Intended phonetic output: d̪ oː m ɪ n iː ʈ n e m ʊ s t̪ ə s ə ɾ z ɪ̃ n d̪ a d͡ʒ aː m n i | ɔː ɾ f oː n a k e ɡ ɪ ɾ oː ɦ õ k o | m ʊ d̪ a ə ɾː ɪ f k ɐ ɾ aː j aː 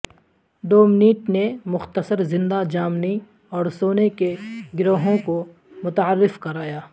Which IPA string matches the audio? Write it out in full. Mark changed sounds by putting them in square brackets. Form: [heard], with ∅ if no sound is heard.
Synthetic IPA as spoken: d̪ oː m ɪ n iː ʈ n e m ʊ [x] t̪ ə s ə ɾ z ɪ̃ n d̪ a d͡ʒ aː m n i | ɔː ɾ [s] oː n [e] k e ɡ ɪ ɾ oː ɦ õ k o | m ʊ [t̪] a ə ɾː ɪ f k ɐ ɾ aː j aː